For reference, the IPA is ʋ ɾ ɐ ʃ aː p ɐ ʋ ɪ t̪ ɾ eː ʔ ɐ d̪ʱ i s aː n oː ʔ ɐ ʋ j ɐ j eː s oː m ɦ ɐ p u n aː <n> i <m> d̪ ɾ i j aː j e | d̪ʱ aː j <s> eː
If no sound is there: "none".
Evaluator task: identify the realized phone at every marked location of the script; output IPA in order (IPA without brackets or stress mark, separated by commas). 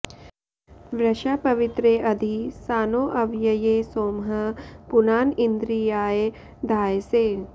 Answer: n, n, s